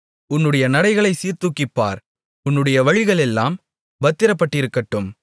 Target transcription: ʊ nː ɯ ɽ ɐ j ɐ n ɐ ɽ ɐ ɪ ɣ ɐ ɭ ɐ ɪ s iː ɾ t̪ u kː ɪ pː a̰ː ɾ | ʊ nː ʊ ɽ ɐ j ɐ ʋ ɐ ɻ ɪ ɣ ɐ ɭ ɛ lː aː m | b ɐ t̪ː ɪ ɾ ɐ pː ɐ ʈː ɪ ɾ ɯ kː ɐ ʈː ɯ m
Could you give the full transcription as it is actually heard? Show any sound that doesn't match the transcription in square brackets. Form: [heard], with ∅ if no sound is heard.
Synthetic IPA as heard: ʊ nː ɯ ɽ ɐ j ɐ n ɐ ɽ ɐ ɪ ɣ ɐ ɭ ɐ ɪ s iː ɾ t̪ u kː ɪ pː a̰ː ɾ | ʊ nː [ɯ] ɽ ɐ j ɐ ʋ ɐ ɻ ɪ ɣ ɐ ɭ ɛ lː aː m | b ɐ t̪ː ɪ ɾ ɐ pː ɐ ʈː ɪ ɾ ɯ kː ɐ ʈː ɯ m